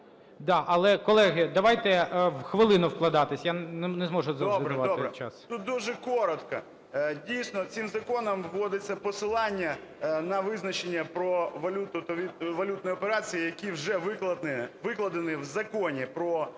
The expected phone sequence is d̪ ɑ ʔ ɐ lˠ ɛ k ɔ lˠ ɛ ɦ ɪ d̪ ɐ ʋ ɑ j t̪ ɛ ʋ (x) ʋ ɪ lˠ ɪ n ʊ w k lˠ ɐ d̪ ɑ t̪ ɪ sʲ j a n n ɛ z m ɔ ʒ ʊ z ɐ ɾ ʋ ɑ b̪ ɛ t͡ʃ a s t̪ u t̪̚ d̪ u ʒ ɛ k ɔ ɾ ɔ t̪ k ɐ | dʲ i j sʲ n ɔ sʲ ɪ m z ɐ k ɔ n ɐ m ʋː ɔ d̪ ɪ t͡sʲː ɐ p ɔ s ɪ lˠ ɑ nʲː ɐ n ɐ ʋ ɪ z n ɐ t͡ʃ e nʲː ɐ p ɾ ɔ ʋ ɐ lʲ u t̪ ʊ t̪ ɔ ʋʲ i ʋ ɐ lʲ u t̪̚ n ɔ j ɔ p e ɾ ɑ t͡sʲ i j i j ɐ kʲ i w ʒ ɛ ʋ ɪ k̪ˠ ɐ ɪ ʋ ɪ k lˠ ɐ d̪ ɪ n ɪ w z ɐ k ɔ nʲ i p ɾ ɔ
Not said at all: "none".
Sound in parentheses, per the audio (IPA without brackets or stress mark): x